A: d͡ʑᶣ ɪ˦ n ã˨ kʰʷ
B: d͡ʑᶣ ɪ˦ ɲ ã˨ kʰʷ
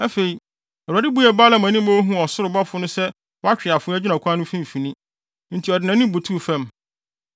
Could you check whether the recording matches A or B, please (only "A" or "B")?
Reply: A